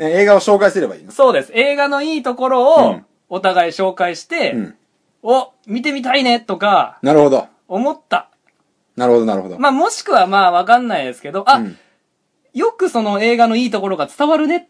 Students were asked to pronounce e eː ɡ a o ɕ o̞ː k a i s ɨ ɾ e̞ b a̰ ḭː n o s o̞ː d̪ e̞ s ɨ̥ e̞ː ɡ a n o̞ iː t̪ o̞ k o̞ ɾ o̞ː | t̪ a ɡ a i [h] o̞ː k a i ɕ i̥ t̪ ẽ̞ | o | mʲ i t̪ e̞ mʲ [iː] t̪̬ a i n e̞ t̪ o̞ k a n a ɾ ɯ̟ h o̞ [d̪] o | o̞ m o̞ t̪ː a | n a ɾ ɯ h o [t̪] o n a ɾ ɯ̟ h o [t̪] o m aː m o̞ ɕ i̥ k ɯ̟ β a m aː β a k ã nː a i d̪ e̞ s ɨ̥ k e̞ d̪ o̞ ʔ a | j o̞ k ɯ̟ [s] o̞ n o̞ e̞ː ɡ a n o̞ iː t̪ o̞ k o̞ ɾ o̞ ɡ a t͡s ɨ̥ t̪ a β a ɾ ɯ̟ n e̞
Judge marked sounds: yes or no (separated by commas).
no, no, yes, no, no, yes